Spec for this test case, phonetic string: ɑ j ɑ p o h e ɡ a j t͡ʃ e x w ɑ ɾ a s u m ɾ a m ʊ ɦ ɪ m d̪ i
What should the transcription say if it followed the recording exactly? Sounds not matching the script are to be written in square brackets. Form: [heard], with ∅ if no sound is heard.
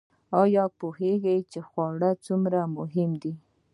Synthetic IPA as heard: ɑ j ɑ p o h e ɡ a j t͡ʃ e x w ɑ [ɽ] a [t͡s] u m ɾ a m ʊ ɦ ɪ m d̪ i